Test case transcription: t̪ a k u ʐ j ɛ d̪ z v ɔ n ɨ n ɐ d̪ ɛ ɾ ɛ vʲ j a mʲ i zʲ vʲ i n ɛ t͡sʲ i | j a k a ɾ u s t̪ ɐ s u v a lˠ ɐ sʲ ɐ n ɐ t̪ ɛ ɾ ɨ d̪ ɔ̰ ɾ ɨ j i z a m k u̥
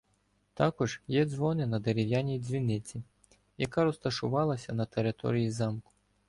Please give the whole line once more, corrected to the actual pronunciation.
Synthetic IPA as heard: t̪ a k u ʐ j ɛ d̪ z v ɔ n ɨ n ɐ d̪ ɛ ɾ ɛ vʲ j a nʲ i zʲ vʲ i n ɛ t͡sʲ i | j a k a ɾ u s t̪ ɐ ʂ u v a lˠ ɐ sʲ ɐ n ɐ t̪ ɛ ɾ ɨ t̪ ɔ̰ ɾ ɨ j i z a m k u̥